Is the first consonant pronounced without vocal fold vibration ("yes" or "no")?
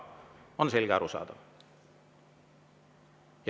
no